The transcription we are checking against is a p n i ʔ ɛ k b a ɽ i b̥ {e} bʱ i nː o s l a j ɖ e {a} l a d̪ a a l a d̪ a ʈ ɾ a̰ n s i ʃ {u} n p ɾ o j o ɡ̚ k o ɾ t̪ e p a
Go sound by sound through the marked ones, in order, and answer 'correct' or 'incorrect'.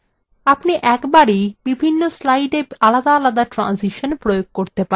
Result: incorrect, correct, incorrect

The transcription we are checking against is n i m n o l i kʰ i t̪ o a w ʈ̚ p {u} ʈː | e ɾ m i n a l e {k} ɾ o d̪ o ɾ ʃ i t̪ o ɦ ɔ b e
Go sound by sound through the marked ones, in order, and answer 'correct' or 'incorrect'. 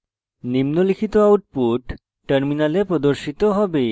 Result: correct, incorrect

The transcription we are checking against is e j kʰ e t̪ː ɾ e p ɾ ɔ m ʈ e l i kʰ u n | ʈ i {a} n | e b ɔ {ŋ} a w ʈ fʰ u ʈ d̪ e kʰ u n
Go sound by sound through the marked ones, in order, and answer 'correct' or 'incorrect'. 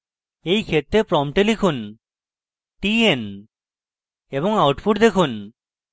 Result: incorrect, correct

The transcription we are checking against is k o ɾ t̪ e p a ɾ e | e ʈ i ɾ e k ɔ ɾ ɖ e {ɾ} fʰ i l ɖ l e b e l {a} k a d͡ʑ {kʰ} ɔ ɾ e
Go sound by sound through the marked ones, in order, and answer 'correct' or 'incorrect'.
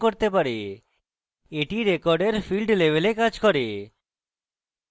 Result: correct, incorrect, incorrect

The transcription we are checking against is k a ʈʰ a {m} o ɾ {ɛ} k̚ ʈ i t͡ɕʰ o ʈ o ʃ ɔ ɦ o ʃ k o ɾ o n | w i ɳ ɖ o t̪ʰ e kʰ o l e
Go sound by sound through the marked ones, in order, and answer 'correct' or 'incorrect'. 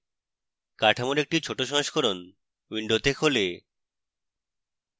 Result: correct, incorrect

